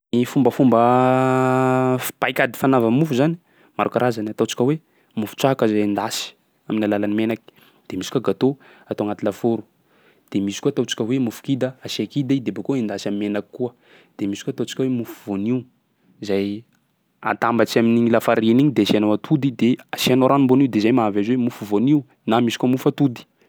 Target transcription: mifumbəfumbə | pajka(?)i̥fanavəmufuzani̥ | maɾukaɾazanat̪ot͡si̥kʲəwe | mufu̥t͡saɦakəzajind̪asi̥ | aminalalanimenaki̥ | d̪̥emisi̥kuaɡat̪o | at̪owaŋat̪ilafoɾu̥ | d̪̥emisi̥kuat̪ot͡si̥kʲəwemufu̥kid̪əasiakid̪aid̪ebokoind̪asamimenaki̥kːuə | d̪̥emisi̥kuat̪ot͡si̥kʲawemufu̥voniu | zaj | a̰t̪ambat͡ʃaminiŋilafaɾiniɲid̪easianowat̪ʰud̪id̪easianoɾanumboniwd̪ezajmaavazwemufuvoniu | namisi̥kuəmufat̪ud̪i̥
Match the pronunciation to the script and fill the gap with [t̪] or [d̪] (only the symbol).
d̪